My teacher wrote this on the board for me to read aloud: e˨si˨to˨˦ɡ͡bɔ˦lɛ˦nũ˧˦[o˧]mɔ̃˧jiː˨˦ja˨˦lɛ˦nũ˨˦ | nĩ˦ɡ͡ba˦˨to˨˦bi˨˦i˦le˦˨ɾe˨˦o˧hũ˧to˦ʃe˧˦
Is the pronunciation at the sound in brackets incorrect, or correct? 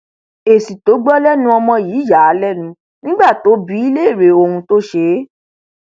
incorrect